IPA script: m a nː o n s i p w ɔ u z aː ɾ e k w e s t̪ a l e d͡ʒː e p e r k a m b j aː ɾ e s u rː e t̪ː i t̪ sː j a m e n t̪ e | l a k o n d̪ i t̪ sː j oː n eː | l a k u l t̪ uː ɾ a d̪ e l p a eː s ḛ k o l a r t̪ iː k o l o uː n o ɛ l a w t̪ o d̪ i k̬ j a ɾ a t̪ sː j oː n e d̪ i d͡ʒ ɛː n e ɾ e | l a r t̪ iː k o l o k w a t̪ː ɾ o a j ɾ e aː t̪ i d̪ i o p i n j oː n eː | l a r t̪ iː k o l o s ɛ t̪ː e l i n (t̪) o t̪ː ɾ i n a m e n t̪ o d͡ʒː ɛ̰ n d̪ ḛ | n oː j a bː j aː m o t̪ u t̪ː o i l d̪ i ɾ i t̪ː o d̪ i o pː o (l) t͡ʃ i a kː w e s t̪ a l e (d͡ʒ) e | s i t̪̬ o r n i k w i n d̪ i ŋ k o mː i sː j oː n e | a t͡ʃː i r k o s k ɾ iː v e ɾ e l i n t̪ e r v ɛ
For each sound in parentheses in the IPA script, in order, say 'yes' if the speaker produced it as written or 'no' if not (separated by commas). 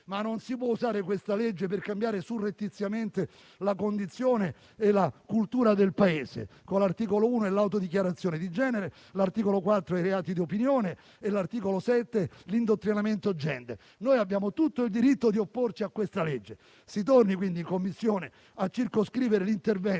no, no, no